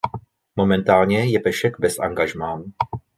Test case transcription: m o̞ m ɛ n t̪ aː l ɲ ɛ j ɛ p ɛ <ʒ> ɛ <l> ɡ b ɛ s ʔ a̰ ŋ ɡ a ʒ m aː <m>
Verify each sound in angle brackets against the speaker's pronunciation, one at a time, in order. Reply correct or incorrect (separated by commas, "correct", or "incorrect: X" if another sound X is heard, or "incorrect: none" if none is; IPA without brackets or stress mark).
incorrect: ʃ, incorrect: none, incorrect: n